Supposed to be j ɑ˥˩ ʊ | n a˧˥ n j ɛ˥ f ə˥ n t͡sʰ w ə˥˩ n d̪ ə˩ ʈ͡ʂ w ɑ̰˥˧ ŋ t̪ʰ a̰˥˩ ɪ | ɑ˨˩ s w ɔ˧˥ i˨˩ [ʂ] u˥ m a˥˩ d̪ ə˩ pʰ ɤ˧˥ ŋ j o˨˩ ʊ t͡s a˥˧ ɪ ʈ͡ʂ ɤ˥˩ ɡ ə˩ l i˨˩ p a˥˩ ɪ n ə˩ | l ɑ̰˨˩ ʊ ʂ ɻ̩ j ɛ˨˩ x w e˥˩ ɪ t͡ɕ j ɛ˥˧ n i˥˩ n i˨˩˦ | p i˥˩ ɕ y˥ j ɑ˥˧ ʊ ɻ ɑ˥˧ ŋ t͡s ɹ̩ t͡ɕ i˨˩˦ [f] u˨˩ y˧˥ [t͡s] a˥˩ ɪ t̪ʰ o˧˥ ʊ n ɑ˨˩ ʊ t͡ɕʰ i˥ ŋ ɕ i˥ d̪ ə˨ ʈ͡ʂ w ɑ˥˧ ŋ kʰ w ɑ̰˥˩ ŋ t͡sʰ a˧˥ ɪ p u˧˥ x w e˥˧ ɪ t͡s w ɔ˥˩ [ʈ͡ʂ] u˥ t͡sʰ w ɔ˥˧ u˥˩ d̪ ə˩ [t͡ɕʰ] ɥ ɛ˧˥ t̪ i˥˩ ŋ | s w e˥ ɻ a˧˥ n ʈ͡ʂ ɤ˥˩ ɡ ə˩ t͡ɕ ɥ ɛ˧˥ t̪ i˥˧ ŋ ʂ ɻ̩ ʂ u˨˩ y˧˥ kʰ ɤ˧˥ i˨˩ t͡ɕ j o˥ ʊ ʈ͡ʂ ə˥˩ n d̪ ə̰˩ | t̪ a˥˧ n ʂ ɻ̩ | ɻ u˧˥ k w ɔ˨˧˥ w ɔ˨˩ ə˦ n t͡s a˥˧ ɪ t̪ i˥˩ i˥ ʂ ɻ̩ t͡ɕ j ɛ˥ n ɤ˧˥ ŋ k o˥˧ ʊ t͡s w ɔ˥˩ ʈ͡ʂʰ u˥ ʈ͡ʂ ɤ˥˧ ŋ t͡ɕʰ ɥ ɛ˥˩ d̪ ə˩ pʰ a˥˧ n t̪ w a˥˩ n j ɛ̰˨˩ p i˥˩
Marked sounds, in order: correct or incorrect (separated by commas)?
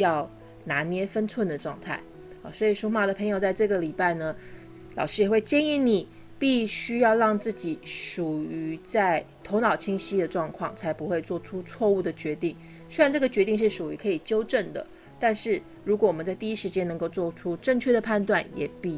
correct, incorrect, correct, incorrect, incorrect